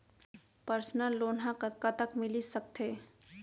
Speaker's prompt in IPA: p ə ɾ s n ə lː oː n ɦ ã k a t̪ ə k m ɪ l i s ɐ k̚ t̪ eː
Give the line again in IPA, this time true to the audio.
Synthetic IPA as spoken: p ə ɾ s n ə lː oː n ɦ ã k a t̪ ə k m ɪ l i s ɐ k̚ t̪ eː